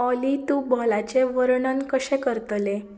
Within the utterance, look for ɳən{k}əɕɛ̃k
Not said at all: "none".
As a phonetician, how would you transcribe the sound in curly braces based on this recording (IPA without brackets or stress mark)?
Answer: k